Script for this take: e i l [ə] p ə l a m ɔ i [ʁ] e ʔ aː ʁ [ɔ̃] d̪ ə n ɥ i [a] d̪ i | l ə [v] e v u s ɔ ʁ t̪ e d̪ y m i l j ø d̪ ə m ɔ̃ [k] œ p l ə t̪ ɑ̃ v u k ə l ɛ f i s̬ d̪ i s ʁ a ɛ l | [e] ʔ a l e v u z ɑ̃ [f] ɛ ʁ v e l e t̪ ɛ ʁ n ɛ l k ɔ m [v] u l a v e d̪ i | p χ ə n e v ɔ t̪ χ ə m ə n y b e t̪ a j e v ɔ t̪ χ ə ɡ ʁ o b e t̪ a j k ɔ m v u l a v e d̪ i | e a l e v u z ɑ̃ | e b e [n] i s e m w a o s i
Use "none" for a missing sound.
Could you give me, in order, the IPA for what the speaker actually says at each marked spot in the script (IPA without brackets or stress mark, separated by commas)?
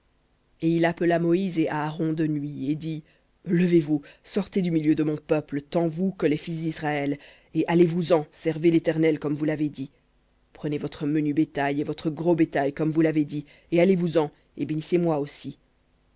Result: a, z, ɔ̃, e, v, p, e, s, v, n